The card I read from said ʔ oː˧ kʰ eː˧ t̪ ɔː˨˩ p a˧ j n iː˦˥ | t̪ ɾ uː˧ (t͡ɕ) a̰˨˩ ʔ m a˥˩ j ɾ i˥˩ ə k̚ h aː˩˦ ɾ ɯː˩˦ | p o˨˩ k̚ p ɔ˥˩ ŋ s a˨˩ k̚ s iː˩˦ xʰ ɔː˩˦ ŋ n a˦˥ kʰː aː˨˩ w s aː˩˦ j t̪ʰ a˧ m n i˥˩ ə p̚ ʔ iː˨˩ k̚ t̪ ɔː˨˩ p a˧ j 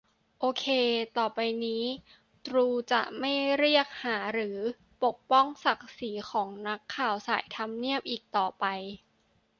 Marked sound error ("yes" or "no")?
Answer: no